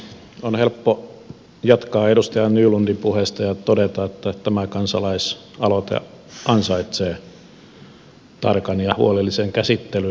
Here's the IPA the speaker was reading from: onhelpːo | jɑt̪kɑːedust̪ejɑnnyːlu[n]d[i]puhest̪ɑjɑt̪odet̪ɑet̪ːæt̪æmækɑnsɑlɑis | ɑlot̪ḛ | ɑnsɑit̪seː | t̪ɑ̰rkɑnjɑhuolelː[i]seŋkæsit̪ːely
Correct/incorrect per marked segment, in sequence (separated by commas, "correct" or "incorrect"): correct, correct, correct